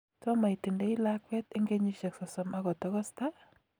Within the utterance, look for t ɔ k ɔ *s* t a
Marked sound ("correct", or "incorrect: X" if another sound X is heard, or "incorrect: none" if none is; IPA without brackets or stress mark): correct